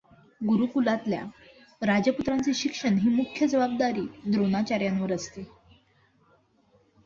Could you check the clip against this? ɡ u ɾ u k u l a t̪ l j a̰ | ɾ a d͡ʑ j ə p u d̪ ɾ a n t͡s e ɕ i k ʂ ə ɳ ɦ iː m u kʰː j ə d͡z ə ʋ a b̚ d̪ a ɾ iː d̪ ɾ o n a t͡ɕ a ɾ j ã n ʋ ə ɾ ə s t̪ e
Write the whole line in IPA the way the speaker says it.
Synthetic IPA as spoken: ɡ u ɾ u k u l a t̪ l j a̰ | ɾ a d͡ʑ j ə p u t̪ ɾ a n t͡s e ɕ i k ʂ ə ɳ ɦ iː m u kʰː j ə d͡z ə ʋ a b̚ d̪ a ɾ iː d̪ ɾ o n a t͡ɕ a ɾ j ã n ʋ ə ɾ ə s t̪ e